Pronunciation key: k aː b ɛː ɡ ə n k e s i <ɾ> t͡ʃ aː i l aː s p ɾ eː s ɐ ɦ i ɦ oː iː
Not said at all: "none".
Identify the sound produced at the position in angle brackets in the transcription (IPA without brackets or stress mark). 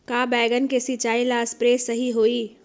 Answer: none